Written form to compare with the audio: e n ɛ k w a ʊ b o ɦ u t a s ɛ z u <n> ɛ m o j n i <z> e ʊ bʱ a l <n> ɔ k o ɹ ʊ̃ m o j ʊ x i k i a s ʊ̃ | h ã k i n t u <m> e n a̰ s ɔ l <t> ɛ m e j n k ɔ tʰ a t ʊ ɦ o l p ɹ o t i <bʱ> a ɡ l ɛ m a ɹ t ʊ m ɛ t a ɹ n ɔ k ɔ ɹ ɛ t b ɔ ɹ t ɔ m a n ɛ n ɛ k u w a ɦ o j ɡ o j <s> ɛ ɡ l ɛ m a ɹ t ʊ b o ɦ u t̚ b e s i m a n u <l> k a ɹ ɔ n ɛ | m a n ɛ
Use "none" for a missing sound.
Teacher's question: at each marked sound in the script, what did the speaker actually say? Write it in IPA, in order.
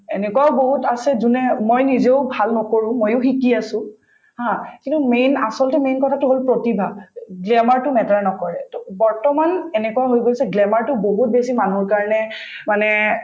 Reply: n, z, n, m, t, bʱ, s, ɹ

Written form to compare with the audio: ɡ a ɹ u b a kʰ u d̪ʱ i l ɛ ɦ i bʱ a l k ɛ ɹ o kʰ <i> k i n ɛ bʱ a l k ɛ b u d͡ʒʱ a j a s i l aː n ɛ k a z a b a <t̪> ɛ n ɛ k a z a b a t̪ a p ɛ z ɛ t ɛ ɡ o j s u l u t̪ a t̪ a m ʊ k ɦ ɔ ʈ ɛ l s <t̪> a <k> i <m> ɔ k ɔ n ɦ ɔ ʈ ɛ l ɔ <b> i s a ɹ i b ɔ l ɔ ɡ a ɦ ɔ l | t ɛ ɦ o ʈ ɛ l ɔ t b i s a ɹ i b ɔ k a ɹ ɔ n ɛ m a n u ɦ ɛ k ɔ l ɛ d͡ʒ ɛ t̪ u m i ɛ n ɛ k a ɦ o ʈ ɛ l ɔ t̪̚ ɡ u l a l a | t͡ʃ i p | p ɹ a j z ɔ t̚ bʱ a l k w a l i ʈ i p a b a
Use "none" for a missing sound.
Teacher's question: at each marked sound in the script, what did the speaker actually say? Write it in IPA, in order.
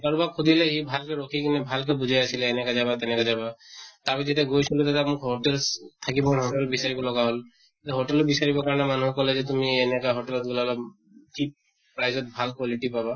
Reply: i, t̪, t̪ʰ, k, b, b

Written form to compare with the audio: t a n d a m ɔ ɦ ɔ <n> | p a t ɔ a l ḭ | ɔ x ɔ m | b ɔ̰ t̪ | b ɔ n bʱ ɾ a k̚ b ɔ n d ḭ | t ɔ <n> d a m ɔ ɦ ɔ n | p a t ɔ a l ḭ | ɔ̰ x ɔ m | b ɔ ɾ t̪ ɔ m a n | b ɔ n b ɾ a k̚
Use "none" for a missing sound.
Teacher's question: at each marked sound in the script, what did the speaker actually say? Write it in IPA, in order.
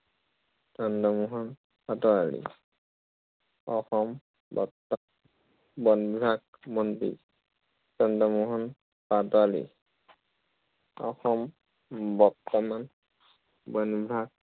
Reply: n, n

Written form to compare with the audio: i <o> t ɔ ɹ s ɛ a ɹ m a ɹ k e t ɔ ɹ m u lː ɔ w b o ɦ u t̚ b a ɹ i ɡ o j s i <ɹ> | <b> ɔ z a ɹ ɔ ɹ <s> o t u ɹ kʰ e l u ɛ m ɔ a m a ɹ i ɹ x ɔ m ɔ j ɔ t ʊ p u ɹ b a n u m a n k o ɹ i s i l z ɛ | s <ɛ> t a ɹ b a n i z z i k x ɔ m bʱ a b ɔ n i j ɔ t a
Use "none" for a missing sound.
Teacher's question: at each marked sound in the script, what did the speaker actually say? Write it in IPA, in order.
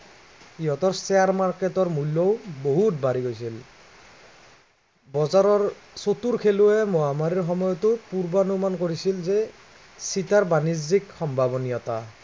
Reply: ɔ, l, b, s, i

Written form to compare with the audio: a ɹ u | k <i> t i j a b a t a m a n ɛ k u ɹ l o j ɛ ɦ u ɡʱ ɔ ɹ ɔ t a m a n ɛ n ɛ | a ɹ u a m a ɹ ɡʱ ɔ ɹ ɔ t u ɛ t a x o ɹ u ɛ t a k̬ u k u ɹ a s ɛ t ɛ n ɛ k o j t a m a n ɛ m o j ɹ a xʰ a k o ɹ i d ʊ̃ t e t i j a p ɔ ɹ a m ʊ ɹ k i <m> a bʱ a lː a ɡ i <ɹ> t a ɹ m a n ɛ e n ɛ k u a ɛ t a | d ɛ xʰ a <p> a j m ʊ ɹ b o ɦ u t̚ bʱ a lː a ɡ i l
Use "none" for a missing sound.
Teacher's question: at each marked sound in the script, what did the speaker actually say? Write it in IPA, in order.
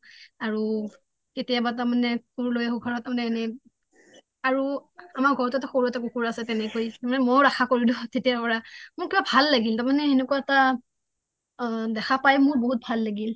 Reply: e, b, l, p

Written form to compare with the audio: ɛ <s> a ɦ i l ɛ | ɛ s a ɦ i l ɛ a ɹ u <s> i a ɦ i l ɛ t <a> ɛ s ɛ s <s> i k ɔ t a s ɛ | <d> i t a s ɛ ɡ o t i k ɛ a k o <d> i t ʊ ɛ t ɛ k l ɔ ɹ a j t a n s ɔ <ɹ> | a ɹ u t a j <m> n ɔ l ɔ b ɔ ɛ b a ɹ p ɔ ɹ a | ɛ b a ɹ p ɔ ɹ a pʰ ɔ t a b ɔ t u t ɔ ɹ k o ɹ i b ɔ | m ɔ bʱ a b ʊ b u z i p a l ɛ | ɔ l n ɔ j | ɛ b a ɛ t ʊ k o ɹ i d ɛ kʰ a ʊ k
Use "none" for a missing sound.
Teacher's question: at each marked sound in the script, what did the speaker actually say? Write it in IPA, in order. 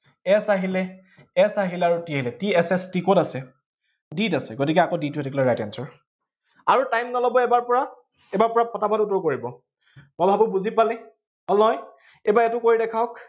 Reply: s, t, i, t, d, d, ɹ, m

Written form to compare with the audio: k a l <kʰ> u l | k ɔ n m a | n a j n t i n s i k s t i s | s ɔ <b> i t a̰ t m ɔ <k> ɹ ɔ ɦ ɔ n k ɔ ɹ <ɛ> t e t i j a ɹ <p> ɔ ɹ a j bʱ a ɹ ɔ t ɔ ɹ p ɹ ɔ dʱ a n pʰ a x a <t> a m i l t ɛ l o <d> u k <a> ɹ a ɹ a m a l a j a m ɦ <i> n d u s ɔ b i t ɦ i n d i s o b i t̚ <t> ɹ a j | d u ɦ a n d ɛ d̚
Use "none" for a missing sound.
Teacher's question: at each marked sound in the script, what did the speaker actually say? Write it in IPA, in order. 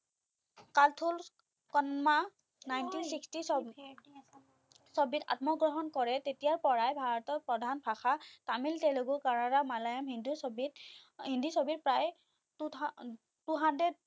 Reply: tʰ, b, ɡ, ɛ, p, t, ɡ, a, i, p

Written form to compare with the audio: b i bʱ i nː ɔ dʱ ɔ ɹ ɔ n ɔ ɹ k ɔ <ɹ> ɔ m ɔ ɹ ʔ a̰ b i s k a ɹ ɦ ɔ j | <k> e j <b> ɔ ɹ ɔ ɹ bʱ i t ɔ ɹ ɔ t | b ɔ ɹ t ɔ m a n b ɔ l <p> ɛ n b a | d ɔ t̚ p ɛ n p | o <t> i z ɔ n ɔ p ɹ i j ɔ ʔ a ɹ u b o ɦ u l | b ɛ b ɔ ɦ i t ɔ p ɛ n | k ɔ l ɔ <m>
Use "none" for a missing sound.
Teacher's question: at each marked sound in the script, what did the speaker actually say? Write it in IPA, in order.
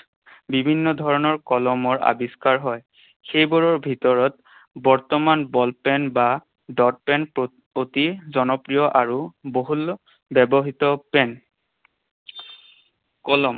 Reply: l, x, b, p, t, m

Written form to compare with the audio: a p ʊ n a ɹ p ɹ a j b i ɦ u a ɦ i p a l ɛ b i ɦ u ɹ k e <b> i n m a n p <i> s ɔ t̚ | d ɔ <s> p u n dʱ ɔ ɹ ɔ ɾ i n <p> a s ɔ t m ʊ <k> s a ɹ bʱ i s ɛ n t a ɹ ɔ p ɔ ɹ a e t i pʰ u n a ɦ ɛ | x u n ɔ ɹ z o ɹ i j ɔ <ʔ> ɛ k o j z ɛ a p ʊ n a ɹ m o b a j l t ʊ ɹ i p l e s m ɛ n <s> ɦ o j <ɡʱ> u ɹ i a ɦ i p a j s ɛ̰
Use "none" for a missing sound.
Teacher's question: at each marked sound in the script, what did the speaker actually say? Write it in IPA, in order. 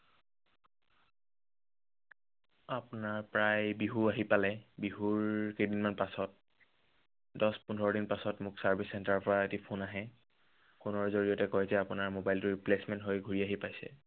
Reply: d, a, s, p, k, t, t, ɡʱ

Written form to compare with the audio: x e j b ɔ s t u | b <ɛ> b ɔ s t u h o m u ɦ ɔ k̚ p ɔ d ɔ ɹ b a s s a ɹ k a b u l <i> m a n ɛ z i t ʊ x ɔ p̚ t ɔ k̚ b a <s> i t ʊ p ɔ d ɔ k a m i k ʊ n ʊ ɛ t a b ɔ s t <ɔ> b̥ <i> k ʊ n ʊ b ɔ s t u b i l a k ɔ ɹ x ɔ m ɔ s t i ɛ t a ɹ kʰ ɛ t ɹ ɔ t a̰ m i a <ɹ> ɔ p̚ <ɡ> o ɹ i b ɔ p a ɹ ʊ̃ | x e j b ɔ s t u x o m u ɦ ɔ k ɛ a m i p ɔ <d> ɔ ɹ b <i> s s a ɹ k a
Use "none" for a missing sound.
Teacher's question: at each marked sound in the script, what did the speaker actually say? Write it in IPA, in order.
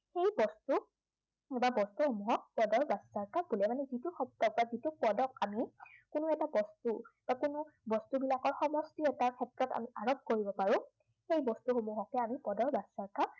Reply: a, ɛ, z, u, a, ɹ, k, d, a

